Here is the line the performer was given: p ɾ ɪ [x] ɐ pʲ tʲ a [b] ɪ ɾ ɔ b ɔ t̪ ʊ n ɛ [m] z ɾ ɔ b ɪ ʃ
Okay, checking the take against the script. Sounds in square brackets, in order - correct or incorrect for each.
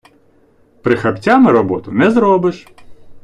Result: correct, incorrect, incorrect

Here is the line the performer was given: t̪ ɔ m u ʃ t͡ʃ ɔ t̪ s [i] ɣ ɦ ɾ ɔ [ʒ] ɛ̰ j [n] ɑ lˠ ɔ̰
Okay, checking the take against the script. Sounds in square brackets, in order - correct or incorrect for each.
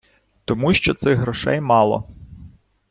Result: incorrect, incorrect, incorrect

